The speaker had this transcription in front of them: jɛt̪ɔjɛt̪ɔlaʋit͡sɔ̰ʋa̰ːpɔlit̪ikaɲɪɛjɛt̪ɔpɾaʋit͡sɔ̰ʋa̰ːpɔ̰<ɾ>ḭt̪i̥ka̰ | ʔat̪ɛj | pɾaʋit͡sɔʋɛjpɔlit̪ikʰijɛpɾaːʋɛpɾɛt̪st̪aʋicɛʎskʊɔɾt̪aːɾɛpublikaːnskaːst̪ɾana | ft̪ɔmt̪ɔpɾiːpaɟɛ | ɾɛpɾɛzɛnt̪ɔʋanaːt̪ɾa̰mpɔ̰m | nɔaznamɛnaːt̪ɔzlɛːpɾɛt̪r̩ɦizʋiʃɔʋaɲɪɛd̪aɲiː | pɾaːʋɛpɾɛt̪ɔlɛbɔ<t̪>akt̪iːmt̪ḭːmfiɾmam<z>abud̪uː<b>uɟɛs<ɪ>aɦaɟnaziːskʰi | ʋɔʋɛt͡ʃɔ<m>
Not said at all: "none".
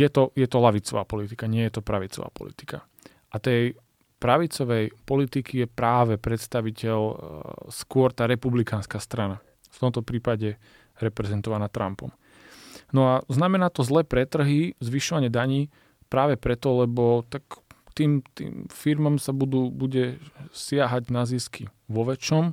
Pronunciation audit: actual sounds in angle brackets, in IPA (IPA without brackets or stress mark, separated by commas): l, t̪, s, b, ɪ, m